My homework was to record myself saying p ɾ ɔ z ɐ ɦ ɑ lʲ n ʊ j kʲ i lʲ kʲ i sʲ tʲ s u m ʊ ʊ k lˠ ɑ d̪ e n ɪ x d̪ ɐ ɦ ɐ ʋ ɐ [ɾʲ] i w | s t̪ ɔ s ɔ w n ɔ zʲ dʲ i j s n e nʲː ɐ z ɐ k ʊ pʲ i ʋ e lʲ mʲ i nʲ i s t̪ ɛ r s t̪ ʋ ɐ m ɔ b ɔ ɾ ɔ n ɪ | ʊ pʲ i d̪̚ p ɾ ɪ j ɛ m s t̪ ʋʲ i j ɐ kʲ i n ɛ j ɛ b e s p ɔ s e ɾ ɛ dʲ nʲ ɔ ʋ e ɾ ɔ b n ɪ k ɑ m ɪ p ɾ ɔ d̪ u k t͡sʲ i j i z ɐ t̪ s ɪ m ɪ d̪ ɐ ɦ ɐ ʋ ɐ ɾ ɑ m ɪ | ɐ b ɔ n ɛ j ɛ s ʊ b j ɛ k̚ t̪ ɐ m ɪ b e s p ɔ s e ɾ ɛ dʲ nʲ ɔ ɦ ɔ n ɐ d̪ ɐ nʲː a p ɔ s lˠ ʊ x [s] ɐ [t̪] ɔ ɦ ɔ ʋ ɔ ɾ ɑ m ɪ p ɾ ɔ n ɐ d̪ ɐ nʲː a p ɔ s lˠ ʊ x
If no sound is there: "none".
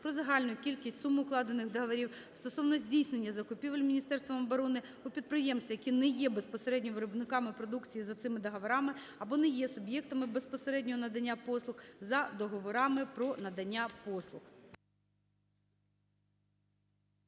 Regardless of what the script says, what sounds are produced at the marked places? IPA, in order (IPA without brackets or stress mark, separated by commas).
ɾʲ, z, d̪